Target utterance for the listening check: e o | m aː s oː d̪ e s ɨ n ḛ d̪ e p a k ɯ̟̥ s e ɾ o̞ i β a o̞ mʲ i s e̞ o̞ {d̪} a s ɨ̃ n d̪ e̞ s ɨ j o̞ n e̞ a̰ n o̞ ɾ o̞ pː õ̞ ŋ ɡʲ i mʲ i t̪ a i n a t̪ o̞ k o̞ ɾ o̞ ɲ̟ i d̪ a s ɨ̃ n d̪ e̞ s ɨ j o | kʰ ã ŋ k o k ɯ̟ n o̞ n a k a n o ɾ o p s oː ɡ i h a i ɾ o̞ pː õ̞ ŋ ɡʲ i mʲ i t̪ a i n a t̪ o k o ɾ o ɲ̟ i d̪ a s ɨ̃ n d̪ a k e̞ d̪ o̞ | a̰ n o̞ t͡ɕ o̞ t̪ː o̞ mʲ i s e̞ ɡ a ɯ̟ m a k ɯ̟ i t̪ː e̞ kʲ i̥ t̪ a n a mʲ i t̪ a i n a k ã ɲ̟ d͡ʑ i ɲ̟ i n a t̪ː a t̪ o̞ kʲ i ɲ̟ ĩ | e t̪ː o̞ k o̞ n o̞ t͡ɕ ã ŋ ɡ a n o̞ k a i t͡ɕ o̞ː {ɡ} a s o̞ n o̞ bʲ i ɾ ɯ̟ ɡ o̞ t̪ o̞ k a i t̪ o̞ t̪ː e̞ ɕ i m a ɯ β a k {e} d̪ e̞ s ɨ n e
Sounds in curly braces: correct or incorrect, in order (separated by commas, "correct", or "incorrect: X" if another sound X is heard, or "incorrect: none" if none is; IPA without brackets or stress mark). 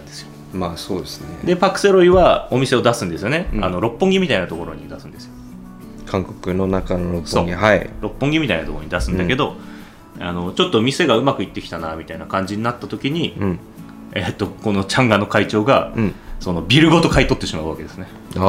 correct, correct, correct